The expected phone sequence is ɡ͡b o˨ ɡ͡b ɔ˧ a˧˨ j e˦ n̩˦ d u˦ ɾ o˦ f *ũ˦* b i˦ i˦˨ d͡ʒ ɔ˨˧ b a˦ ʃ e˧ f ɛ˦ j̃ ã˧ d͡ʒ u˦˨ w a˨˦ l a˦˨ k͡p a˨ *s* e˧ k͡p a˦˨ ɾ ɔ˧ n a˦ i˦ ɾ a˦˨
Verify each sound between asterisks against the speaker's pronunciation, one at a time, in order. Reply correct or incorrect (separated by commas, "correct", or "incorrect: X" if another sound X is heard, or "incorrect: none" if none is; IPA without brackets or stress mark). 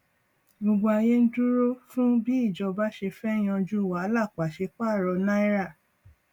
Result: correct, incorrect: ʃ